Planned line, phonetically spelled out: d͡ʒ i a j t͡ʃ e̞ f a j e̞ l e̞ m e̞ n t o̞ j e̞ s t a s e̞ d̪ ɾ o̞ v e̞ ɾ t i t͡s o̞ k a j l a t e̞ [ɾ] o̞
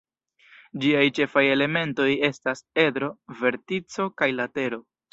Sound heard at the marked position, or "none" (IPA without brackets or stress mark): ɾ